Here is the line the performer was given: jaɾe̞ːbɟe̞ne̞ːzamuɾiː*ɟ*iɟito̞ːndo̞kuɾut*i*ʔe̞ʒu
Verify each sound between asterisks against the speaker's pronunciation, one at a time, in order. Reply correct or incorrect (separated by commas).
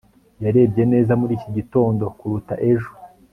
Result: incorrect, incorrect